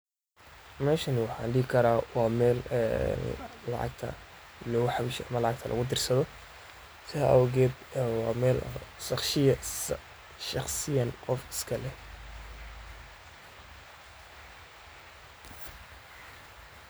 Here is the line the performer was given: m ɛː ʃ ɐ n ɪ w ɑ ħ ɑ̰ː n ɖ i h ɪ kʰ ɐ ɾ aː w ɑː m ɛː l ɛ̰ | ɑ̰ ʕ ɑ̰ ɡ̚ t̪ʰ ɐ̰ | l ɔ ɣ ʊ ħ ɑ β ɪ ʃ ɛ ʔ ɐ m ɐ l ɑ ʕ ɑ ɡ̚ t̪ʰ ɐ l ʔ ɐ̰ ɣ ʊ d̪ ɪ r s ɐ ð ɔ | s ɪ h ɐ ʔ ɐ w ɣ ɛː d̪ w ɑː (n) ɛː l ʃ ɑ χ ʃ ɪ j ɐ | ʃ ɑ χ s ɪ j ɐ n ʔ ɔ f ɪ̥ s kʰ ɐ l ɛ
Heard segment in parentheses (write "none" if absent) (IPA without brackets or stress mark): m